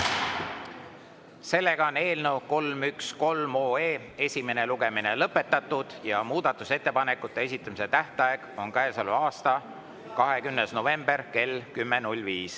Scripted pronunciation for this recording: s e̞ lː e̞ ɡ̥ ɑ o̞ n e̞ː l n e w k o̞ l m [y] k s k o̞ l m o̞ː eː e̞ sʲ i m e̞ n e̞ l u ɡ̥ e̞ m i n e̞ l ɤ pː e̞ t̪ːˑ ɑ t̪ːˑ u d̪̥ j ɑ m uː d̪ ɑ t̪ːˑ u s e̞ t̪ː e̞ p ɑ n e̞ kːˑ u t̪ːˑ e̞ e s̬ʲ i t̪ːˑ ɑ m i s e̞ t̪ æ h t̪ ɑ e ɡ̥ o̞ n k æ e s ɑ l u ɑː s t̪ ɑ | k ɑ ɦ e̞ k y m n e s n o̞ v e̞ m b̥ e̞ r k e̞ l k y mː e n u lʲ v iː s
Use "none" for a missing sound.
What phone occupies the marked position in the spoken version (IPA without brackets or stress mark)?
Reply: y